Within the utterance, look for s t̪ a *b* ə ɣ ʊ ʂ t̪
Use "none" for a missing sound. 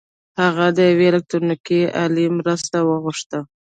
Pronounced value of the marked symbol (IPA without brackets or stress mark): w